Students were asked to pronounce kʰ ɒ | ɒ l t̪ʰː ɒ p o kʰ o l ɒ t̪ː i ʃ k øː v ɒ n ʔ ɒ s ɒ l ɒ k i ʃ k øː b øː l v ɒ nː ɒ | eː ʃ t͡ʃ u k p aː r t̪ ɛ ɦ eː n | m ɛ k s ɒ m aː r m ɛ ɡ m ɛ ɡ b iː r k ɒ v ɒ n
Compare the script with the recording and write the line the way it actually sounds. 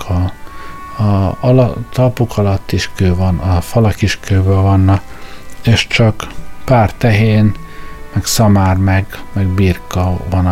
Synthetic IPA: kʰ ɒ | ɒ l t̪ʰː ɒ p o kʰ ɒ l ɒ t̪ː i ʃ k øː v ɒ n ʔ ɒ f ɒ l ɒ k i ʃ k øː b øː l v ɒ nː ɒ | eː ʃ t͡ʃ ɒ k p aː r t̪ ɛ ɦ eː n | m ɛ k s ɒ m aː r m ɛ ɡ m ɛ ɡ b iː r k ɒ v ɒ n